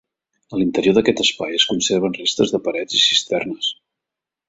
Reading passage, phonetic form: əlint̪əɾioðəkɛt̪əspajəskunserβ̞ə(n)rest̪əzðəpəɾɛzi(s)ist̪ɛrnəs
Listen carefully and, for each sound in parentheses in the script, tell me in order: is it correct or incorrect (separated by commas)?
correct, correct